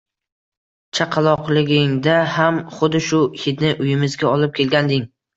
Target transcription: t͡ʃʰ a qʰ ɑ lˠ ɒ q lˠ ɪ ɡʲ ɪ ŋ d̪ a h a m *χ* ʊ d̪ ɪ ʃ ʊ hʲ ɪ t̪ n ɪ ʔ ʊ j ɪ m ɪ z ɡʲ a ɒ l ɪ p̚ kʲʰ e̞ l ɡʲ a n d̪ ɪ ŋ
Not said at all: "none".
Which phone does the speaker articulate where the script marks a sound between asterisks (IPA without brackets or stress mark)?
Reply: χ